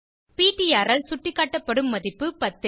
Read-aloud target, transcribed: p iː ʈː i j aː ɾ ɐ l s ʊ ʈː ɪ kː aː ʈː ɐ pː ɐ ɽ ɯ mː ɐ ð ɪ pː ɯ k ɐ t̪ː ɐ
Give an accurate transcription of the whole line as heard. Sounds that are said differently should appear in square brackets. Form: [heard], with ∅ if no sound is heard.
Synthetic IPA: p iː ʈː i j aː ɾ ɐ l s ʊ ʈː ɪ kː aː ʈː ɐ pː ɐ ɽ ɯ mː ɐ ð ɪ pː ɯ [p] ɐ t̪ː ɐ